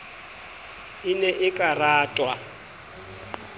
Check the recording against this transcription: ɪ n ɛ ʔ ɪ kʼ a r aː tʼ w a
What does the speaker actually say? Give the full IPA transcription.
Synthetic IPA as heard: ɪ n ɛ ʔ ɪ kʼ a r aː tʼ w a

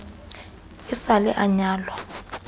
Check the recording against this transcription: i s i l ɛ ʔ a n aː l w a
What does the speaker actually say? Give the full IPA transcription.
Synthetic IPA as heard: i s a l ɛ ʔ a ɲ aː l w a

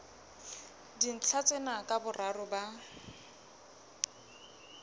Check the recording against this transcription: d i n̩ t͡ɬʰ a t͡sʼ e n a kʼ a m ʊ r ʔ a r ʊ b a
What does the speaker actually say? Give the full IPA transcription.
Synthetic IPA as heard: d i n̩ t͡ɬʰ a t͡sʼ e n a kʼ a b ʊ r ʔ a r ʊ b a

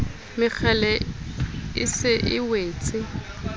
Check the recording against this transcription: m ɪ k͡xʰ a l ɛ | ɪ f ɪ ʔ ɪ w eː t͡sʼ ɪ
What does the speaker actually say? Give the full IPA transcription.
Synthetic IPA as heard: m ɪ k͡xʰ ɛ l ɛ | ɪ s ɪ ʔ ɪ w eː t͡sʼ ɪ

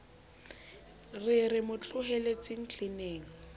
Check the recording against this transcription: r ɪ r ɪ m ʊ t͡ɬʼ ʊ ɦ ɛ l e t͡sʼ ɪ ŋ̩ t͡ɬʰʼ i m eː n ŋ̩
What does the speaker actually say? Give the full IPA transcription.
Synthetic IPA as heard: r ɪ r ɪ m ʊ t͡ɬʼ ʊ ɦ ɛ l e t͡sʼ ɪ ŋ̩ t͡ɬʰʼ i n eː ŋ̩

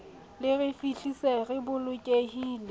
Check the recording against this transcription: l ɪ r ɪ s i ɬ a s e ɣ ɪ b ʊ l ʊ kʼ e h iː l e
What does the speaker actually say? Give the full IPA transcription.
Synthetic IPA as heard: l ɪ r ɪ f i ɬ i s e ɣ ɪ b ʊ l ʊ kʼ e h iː l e

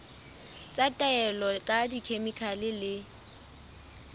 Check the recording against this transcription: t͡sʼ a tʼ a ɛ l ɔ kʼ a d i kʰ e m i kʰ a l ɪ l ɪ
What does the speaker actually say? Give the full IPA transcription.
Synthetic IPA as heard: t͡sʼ a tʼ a ɛ l ɔ kʼ a d i kʰ e m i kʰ a l ɪ l ɪ

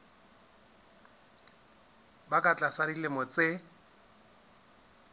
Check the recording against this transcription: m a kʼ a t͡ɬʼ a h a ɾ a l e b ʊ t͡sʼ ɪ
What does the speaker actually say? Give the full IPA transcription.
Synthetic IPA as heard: b a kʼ a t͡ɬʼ a s a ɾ i l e m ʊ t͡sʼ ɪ

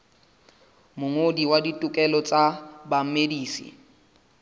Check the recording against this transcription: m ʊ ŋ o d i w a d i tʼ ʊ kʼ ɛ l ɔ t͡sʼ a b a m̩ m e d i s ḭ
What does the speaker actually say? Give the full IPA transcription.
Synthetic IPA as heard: m ʊ ŋ o d i w a d i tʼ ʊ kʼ ɛ l ɔ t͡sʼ a b a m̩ m e d iː s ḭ

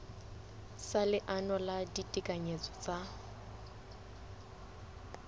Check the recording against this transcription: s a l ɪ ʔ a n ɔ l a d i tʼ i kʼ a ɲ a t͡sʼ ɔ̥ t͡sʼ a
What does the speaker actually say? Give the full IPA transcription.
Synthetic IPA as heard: s a l ɪ ʔ a n ɔ l a d i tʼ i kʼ a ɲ e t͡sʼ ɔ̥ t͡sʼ a

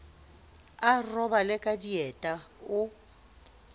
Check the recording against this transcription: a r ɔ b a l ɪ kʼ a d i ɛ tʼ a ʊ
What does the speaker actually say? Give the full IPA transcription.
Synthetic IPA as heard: a r ɔ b a l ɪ kʼ a d i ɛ tʼ a ʊ

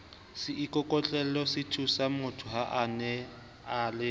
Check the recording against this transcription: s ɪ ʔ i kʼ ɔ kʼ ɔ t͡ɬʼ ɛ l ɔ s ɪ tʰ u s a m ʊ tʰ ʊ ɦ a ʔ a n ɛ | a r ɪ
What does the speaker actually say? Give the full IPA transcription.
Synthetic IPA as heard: s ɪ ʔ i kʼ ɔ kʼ ɔ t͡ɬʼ ɛ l ɔ s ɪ tʰ u s a m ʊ tʰ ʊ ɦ a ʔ a n ɛ | a l ɪ

